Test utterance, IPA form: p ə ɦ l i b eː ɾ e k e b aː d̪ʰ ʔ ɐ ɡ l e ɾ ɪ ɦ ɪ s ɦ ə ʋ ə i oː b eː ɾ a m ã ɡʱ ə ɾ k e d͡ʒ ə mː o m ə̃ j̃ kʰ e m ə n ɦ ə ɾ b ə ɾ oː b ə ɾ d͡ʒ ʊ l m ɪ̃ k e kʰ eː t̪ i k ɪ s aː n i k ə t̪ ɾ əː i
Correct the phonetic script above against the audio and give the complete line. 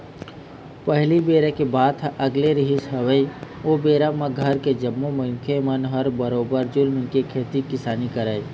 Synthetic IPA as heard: p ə ɦ l i b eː ɾ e k e b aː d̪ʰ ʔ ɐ ɡ l e ɾ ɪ ɦ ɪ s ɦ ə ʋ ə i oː b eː ɾ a m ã ɡʱ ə ɾ k e d͡ʒ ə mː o m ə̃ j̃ kʰ e m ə n ɦ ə ɾ b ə ɾ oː b ə ɾ d͡ʒ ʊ l m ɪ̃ k e kʰ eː t̪ i k ɪ s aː n i k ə ɾ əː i